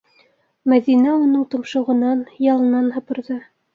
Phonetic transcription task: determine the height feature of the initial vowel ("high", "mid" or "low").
low